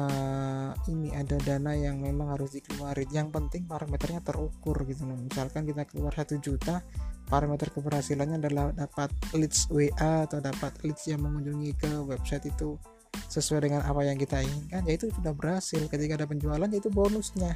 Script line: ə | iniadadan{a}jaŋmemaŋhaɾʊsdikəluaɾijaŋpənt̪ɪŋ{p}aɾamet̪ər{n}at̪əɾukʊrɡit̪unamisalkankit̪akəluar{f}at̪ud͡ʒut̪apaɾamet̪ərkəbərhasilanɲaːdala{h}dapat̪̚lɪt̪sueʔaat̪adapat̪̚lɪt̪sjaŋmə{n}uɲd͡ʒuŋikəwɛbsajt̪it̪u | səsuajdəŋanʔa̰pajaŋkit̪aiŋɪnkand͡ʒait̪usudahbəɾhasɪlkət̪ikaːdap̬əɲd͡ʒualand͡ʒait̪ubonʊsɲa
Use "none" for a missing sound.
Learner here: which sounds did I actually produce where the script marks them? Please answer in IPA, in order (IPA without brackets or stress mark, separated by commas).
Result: a, p, ɲ, s, h, ŋ